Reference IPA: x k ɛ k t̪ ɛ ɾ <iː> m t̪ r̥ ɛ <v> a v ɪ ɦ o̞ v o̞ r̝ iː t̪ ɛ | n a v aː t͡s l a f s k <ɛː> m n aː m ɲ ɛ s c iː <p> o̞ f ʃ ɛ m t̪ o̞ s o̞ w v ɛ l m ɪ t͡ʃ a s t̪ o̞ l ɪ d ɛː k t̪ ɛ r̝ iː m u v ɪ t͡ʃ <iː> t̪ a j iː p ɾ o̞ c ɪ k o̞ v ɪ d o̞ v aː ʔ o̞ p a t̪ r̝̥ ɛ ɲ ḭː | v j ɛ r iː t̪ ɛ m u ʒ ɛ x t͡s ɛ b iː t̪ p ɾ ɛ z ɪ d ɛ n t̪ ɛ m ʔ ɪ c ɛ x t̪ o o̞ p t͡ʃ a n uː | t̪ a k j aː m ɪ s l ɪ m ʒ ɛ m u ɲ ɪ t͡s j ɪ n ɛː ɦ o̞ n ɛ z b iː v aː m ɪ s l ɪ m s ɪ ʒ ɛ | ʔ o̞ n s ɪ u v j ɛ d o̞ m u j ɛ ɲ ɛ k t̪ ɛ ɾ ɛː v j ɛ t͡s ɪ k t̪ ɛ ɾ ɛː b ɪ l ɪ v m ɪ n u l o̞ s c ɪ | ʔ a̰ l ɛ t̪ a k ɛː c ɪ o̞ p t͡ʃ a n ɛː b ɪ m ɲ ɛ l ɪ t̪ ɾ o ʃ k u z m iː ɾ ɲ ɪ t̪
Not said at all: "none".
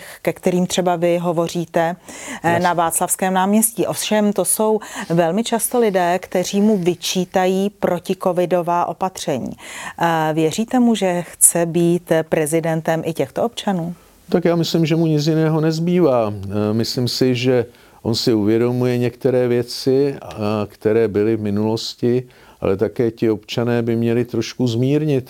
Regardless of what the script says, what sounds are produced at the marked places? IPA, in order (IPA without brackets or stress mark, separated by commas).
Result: iː, b, ɛː, ʔ, iː